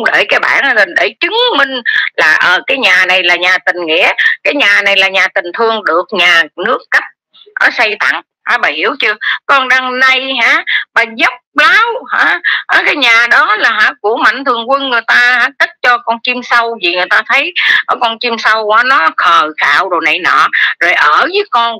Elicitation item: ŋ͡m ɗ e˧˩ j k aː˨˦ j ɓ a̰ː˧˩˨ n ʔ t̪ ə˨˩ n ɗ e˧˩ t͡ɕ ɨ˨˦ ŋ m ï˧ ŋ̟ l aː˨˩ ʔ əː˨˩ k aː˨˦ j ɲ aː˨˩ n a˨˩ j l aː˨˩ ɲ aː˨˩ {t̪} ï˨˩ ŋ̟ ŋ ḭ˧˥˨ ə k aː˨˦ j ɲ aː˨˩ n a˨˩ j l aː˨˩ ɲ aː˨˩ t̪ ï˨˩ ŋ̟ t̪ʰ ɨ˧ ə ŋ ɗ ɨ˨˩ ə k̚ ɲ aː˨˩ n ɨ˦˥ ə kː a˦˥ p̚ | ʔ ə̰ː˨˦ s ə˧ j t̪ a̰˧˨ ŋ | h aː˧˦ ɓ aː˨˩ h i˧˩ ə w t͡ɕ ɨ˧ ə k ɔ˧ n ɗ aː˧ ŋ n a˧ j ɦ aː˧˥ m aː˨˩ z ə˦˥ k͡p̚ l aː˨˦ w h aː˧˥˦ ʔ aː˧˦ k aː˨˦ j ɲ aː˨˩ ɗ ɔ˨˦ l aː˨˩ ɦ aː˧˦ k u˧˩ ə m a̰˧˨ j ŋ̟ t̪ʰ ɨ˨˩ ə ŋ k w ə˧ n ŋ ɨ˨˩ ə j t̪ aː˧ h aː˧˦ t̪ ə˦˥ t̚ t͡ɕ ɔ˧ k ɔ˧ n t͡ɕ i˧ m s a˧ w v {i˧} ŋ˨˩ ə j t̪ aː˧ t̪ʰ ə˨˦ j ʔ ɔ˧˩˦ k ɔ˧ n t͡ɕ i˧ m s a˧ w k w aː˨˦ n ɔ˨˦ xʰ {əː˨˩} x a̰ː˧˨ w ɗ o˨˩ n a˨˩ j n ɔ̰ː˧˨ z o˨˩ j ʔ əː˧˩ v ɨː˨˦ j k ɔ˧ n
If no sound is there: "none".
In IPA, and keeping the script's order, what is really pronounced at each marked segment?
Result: t̪, i˨˩, əː˨˩

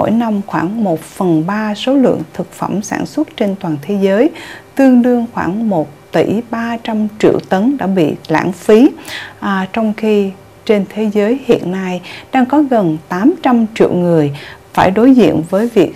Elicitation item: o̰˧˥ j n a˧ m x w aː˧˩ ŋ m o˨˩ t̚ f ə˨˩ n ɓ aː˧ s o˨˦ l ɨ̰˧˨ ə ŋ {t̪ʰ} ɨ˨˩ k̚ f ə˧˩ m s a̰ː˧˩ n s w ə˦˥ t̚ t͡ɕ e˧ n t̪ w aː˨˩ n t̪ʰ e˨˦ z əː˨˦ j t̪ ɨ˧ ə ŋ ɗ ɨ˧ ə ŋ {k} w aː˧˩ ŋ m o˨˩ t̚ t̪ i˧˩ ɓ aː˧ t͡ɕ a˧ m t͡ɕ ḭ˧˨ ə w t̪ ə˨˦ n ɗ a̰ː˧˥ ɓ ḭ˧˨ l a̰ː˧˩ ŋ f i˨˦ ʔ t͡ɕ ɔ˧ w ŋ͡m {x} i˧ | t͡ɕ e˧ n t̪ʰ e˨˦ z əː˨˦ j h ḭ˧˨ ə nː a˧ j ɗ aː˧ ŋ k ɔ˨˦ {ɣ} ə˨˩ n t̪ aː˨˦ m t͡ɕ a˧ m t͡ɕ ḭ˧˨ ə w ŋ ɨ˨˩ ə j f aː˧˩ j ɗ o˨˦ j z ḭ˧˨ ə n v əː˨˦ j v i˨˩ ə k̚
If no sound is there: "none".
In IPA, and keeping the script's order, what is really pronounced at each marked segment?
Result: t̪ʰ, x, x, ɣ

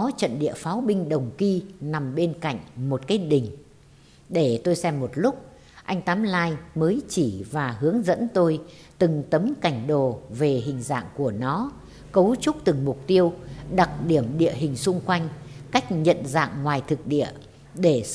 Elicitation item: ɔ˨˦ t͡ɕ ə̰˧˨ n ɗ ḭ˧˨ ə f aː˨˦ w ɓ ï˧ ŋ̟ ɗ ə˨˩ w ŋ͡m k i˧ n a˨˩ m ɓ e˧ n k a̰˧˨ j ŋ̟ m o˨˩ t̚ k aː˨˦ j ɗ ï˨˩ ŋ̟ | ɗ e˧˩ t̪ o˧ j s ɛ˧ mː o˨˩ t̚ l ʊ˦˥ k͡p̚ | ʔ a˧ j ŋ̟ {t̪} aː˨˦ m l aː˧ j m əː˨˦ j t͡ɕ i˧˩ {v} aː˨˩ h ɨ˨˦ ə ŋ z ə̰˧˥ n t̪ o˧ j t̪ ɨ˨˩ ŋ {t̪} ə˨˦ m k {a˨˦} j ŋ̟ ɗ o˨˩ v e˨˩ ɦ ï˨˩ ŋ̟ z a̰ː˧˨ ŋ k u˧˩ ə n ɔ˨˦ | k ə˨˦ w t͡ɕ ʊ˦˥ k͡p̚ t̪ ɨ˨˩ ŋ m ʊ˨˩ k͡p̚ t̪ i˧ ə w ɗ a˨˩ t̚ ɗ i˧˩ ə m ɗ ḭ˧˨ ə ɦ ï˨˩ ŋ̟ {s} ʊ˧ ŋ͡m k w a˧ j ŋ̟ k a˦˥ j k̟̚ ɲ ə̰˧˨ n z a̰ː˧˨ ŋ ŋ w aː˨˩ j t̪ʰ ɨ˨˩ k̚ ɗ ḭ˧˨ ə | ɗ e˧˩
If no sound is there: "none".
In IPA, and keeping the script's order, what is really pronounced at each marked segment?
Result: t̪, v, t̪, a˧˩, s

